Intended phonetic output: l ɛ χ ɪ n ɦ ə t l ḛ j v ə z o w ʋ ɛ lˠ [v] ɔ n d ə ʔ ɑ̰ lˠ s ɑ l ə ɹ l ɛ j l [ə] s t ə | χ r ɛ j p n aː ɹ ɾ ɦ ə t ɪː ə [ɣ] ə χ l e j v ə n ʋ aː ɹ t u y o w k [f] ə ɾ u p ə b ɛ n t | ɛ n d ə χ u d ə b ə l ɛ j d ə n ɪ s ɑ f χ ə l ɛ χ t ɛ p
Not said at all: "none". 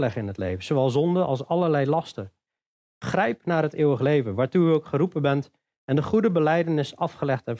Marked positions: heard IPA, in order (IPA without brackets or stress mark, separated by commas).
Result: z, ɑ, w, χ